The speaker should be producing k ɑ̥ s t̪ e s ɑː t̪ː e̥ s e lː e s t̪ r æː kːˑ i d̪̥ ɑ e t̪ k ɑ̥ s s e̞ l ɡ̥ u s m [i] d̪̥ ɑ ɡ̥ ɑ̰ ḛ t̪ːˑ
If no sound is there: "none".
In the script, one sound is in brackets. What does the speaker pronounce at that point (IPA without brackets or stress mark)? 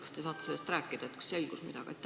i